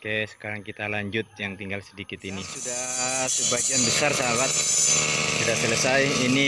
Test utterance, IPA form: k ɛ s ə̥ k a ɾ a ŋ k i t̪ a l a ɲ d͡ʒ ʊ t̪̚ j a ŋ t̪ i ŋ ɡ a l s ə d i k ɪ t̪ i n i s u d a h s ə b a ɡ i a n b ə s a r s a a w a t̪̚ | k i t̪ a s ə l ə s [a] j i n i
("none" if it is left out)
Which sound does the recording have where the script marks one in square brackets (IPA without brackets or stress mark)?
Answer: a